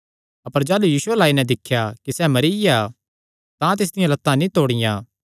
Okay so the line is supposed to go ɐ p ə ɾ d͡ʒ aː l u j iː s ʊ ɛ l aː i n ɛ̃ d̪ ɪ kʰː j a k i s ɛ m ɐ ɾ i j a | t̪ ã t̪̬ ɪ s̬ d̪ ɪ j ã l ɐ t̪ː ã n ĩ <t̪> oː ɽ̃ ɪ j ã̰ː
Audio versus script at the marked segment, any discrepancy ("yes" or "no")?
no